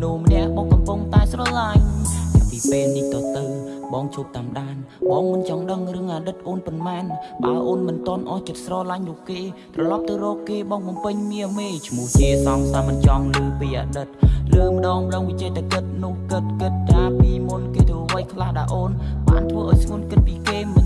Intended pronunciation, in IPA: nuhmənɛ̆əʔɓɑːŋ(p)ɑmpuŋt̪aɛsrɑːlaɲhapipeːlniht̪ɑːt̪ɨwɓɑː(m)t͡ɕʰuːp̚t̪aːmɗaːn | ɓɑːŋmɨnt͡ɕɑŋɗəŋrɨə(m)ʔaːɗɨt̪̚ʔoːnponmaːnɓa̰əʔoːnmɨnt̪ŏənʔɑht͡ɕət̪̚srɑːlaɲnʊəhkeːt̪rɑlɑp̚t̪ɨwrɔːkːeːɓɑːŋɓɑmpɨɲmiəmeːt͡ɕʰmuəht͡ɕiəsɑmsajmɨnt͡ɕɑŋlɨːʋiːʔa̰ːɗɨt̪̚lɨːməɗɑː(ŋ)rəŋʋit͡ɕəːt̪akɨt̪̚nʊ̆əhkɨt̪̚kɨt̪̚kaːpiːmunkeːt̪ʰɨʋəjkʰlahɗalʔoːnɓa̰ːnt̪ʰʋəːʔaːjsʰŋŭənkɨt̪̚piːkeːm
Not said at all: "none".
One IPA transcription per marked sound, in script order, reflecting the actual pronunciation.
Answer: k, ŋ, ŋ, ŋ

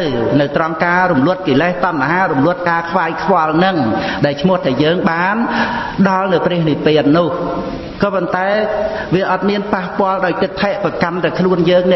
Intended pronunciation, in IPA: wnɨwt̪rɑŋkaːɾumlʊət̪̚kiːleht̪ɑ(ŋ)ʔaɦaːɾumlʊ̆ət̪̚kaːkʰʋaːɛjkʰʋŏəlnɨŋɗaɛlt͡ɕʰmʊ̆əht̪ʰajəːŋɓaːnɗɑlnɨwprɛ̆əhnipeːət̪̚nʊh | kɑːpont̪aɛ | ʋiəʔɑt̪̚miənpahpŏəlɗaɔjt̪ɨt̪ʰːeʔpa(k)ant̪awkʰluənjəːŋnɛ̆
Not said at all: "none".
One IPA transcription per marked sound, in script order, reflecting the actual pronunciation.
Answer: n, k

